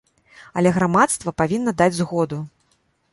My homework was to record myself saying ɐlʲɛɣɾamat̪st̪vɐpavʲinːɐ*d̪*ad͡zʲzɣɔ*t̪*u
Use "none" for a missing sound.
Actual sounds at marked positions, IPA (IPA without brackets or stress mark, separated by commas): d̪, d̪